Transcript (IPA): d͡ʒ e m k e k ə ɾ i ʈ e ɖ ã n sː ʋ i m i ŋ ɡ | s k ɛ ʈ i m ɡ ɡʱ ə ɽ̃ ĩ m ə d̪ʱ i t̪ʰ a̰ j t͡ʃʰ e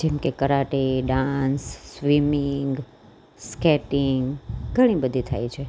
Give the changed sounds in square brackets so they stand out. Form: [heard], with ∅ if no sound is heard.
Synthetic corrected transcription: d͡ʒ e m k e k ə ɾ [a] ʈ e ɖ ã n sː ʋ i m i ŋ ɡ | s k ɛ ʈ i [ŋ] ɡ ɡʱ ə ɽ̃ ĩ [b] ə d̪ʱ i t̪ʰ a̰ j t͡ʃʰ e